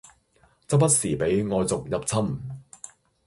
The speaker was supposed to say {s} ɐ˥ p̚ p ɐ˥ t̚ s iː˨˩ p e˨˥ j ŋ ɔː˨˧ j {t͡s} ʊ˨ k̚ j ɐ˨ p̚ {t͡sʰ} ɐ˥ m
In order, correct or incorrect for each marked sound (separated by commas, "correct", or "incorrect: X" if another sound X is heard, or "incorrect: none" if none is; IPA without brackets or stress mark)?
incorrect: t͡s, correct, correct